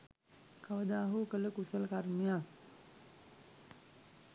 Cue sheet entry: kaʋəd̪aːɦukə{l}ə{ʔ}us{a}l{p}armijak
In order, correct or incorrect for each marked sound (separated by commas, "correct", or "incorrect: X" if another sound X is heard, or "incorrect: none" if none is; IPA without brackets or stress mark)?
correct, incorrect: k, incorrect: ə, incorrect: k